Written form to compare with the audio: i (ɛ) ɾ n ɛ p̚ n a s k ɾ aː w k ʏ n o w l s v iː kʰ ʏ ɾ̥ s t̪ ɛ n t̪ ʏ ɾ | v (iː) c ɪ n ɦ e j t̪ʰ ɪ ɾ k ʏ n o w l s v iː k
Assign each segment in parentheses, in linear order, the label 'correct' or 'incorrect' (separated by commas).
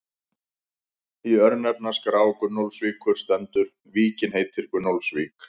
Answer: incorrect, correct